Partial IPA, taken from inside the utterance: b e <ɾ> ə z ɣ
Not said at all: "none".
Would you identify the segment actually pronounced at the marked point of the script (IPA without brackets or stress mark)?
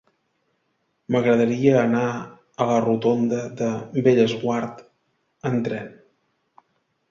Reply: ʎ